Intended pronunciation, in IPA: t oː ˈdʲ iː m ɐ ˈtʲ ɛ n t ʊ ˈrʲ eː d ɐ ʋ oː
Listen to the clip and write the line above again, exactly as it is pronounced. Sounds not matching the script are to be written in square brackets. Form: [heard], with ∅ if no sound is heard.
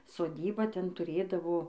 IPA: [s] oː ˈdʲ iː [b] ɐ ˈtʲ ɛ n t ʊ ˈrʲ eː d ɐ ʋ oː